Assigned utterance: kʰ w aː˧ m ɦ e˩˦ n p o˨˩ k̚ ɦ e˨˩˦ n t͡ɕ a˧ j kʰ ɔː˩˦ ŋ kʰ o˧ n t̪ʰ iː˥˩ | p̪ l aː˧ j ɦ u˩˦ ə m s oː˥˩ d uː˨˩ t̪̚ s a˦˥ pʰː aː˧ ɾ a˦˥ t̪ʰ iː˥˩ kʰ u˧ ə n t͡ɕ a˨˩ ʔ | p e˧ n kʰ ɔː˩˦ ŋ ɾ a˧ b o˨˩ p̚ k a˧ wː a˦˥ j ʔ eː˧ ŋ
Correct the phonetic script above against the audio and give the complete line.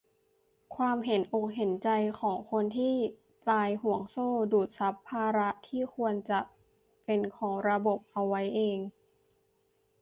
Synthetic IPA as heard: kʰ w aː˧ m ɦ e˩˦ n ʔ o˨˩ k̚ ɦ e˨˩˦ n t͡ɕ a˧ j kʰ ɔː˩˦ ŋ kʰ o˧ n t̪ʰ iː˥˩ | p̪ l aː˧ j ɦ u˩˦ ə ŋ s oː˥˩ d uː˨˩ t̪̚ s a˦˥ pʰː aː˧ ɾ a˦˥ t̪ʰ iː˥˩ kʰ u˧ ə n t͡ɕ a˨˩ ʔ | p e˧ n kʰ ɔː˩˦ ŋ ɾ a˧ b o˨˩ p̚ ʔ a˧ wː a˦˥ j ʔ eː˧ ŋ